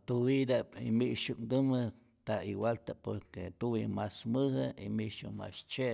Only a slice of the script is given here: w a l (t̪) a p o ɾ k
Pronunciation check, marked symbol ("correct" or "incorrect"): correct